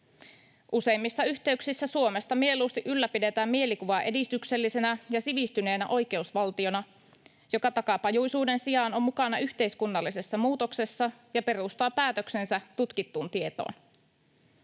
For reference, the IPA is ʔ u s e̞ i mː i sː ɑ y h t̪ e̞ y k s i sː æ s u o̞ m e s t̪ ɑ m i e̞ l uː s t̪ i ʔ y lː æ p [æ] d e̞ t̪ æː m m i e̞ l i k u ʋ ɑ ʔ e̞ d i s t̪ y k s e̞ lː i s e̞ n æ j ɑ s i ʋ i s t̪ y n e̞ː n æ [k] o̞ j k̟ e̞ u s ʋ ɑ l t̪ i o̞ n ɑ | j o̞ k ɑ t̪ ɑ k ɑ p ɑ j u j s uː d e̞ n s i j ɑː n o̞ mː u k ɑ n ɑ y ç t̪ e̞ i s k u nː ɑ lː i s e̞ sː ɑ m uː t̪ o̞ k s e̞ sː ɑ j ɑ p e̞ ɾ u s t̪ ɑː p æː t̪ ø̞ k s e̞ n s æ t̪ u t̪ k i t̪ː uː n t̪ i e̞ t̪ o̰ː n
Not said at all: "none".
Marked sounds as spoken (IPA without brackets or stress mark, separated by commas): i, ʔ